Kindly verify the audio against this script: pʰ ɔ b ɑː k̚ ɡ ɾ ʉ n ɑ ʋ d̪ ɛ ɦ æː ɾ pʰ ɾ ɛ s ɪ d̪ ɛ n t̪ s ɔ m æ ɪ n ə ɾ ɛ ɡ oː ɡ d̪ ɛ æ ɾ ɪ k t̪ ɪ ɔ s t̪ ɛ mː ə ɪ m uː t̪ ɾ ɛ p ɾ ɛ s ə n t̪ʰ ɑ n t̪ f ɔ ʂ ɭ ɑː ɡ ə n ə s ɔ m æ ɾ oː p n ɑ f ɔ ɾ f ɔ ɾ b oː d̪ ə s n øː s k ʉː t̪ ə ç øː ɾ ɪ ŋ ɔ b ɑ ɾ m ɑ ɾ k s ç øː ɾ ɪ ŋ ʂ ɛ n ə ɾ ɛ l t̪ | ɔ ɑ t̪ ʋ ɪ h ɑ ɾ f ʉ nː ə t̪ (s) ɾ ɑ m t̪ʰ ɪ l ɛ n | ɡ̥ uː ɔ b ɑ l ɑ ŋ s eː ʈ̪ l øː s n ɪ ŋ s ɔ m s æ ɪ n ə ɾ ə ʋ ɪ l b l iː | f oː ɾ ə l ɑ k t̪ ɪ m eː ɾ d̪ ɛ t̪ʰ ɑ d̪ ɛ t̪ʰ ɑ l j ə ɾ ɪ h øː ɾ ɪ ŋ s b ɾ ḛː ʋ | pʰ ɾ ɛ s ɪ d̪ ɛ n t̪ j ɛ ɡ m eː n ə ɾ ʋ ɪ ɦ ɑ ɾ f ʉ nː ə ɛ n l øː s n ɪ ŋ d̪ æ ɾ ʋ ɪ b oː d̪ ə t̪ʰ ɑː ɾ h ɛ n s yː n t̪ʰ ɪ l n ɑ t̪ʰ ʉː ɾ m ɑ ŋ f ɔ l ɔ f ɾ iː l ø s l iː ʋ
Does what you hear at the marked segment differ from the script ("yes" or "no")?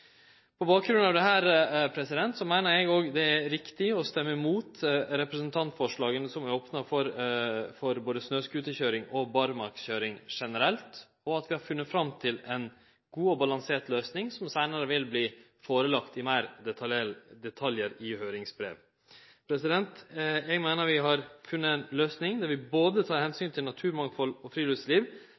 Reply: yes